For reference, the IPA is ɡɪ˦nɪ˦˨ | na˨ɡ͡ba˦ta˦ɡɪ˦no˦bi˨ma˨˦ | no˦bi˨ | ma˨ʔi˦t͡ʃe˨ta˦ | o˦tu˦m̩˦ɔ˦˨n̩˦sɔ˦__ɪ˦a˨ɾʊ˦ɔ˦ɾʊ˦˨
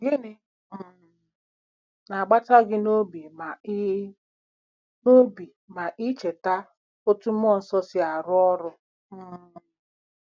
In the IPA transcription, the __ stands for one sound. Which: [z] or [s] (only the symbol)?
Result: s